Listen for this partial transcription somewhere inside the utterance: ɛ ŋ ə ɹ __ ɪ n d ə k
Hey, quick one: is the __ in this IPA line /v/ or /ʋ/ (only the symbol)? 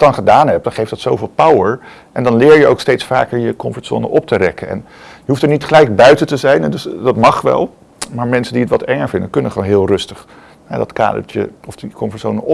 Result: v